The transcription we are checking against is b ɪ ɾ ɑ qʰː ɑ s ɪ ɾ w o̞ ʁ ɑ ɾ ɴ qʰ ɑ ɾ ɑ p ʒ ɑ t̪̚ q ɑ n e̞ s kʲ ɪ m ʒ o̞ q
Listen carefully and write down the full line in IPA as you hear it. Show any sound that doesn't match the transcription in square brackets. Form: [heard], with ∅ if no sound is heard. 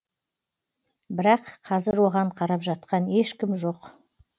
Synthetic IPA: b ɪ ɾ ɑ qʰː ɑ [z] ɪ ɾ w o̞ ʁ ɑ [∅] ɴ qʰ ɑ ɾ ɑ p ʒ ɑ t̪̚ q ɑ n e̞ [ʃ] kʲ ɪ m ʒ o̞ q